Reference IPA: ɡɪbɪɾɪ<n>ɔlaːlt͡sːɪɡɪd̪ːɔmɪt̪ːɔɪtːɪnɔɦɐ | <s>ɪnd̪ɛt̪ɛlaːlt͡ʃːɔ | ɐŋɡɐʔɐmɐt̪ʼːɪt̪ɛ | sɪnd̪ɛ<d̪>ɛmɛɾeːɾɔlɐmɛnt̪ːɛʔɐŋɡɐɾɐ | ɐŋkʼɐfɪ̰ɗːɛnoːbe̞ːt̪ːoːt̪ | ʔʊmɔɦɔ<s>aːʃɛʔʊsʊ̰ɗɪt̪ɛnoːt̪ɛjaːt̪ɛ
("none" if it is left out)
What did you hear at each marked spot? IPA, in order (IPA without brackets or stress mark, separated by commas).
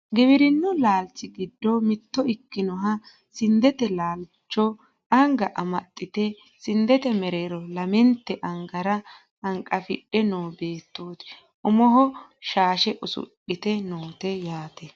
nː, s, t̪, ʃ